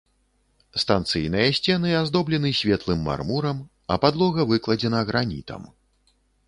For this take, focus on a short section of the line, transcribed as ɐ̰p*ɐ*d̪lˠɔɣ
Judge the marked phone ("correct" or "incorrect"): incorrect